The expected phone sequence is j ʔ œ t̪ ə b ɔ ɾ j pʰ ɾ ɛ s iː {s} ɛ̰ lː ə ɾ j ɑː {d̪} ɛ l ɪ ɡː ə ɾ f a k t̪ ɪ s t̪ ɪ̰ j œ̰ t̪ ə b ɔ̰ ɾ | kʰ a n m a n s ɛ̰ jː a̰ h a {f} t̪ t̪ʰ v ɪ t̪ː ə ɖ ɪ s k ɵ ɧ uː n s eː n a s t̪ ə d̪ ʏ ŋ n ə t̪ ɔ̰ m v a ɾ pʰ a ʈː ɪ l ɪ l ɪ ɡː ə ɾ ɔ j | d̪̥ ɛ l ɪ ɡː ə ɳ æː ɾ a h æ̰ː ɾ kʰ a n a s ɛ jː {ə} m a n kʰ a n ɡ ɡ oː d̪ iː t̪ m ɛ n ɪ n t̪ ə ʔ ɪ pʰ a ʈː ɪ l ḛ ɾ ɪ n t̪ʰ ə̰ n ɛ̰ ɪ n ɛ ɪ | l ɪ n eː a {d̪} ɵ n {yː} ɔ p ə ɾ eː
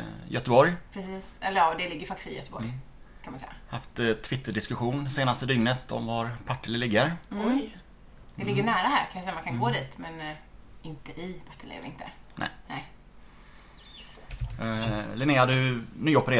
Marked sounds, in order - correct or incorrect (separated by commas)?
correct, correct, correct, incorrect, correct, correct